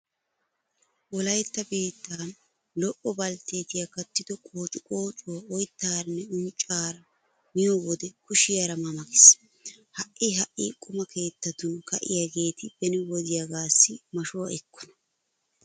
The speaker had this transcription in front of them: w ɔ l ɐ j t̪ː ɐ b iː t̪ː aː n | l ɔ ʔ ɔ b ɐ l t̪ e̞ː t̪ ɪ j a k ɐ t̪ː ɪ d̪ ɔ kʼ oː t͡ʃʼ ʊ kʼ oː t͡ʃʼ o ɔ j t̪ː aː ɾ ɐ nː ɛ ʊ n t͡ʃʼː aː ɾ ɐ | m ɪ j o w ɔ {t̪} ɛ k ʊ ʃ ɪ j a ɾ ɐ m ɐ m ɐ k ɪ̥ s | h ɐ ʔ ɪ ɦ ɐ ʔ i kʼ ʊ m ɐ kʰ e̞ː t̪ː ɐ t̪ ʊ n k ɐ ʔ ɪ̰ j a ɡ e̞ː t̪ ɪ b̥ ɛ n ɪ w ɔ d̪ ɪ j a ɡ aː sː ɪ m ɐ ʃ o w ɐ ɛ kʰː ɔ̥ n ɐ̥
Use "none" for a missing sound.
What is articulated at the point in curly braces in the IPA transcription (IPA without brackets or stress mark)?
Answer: d̪